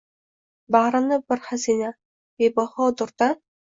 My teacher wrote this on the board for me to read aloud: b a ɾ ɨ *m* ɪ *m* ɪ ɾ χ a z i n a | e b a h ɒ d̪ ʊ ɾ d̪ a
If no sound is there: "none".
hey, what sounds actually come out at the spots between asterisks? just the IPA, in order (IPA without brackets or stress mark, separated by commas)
n, b